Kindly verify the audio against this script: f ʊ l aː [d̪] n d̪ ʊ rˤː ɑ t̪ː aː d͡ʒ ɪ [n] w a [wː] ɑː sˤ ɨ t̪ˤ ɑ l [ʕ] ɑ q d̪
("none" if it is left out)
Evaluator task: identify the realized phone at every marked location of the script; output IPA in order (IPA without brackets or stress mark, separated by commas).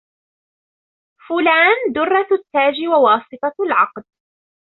none, none, w, ʕ